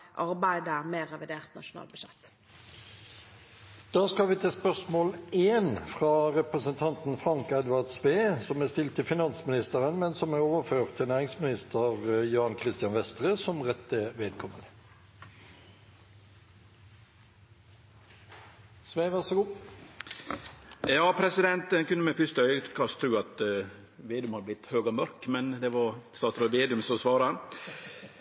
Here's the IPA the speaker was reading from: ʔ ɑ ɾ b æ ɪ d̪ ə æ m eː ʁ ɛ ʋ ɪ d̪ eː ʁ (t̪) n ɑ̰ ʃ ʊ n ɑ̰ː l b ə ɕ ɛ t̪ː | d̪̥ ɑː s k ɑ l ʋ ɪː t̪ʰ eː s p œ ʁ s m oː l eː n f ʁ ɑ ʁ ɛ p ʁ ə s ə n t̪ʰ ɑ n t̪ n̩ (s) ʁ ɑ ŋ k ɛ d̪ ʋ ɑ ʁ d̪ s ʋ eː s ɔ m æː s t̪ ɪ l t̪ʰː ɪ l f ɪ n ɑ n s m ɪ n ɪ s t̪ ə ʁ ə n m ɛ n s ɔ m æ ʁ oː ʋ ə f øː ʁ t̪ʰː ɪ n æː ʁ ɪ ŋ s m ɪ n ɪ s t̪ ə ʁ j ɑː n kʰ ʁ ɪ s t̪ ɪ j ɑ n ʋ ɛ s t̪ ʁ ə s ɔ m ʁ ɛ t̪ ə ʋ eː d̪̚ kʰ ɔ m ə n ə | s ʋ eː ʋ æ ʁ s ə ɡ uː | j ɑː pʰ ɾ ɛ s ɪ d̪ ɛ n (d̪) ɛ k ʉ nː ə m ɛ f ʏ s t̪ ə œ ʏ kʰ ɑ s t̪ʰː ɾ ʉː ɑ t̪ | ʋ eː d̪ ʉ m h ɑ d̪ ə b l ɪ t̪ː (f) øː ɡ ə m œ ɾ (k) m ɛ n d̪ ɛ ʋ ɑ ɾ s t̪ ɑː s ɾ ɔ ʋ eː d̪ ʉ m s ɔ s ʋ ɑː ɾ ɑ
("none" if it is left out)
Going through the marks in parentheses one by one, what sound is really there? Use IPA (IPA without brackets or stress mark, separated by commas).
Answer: t̪, f, t̪, h, k